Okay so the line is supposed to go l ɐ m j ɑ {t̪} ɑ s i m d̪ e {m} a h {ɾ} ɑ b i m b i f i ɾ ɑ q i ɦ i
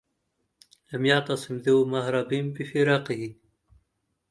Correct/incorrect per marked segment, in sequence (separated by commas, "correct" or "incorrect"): correct, correct, correct